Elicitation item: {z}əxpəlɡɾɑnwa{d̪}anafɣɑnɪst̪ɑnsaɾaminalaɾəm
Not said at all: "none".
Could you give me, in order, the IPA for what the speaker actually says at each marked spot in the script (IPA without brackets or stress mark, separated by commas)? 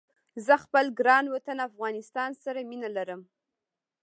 z, t̪